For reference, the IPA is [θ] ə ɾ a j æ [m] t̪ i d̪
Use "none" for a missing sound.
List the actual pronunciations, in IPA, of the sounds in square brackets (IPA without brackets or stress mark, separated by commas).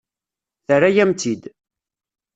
θ, m